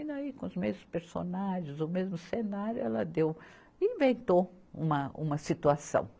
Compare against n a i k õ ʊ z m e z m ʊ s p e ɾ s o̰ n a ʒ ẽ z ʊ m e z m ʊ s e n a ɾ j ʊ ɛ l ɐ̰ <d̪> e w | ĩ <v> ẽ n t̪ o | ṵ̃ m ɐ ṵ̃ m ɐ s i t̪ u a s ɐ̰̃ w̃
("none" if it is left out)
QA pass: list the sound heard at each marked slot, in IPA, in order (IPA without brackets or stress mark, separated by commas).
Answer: d̪, v